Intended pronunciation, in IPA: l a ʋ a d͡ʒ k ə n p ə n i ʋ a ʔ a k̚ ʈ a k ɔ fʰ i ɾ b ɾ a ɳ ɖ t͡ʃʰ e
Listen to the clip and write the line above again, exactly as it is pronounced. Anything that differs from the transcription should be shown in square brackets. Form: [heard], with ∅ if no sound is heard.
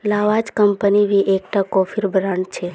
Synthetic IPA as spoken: l a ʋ a d͡ʒ k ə [m] p ə n i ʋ [i] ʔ [e] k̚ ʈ a k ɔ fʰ i ɾ b ɾ a ɳ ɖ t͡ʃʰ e